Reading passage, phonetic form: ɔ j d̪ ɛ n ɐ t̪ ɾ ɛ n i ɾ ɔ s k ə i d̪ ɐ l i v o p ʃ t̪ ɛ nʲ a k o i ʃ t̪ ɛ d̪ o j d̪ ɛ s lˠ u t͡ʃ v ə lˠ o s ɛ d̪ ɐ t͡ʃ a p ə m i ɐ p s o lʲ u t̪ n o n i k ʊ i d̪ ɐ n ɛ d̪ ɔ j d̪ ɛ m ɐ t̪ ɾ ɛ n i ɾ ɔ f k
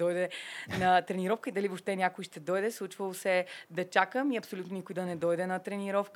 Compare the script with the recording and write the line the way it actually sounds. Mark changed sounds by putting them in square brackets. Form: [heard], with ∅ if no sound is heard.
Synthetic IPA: ɔ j d̪ ɛ n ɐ t̪ ɾ ɛ n i ɾ ɔ [f] k ə i d̪ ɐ l i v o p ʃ t̪ ɛ nʲ a k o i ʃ t̪ ɛ d̪ [ɔ] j d̪ ɛ s lˠ u t͡ʃ v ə lˠ o s ɛ d̪ ɐ t͡ʃ a [k] ə m i ɐ p s o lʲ u t̪ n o n i k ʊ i d̪ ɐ n ɛ d̪ ɔ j d̪ ɛ [n] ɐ t̪ ɾ ɛ n i ɾ ɔ f k